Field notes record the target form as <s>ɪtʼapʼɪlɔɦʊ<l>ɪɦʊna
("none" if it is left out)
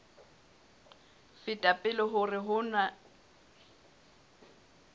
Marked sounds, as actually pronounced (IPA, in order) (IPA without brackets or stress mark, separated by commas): f, r